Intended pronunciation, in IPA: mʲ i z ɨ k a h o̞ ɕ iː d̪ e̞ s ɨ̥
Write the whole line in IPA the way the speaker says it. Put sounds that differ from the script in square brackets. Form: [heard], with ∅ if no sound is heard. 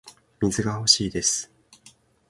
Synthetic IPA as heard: mʲ i z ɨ [ɡ] a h o̞ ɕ iː d̪ e̞ s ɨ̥